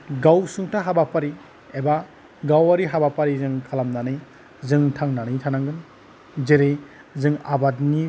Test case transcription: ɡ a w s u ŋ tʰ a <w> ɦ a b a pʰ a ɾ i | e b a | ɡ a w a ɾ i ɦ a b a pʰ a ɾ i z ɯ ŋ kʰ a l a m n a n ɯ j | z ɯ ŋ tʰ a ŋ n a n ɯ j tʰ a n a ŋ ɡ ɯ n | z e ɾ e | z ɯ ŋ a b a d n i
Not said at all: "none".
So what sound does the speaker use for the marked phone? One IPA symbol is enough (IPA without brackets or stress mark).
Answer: none